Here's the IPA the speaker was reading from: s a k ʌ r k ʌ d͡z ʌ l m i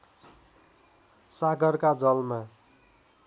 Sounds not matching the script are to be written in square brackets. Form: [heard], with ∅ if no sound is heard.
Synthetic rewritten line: s a [ɡ] ʌ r k [a] d͡z ʌ l m [a]